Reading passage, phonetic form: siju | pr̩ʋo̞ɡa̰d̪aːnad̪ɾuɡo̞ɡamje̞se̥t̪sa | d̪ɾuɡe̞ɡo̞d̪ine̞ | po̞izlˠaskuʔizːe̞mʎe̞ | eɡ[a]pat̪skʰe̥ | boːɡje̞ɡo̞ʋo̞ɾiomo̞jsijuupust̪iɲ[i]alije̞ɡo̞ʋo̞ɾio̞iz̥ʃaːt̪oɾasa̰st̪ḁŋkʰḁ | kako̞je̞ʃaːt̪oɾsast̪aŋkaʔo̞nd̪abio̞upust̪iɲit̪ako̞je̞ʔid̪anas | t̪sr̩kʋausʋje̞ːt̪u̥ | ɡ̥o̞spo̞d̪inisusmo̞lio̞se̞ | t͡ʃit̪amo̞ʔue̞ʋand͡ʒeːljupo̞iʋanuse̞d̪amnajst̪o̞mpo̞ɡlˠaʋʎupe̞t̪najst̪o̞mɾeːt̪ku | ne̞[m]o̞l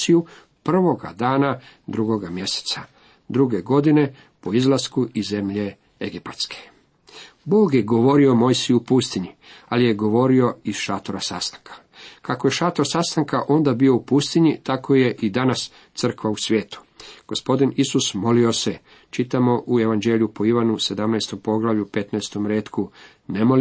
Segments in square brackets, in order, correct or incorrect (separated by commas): incorrect, correct, correct